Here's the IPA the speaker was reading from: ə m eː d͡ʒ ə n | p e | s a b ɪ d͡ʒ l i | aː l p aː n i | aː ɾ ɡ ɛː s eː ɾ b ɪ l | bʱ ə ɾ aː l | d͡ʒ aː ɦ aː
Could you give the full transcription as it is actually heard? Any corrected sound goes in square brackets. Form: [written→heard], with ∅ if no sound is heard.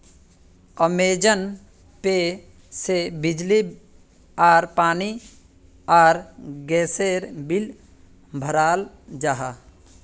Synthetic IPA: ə m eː d͡ʒ ə n | p e | s [a→e] b ɪ d͡ʒ l i | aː [l→ɾ] p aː n i | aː ɾ ɡ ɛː s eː ɾ b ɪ l | bʱ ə ɾ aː l | d͡ʒ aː ɦ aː